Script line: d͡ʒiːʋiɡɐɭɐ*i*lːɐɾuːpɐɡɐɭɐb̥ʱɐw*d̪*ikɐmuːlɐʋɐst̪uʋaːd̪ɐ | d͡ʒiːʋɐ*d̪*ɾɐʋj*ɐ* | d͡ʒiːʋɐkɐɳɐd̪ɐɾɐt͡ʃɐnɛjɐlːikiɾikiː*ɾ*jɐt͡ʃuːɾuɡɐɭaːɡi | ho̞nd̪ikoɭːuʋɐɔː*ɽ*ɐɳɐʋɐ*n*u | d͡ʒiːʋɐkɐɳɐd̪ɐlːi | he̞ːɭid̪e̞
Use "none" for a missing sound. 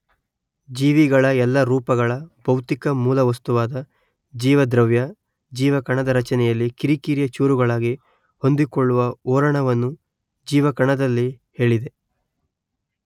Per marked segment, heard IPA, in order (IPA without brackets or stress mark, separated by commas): ɛ, t̪, d̪, ɐ, ɾ, ɾ, nː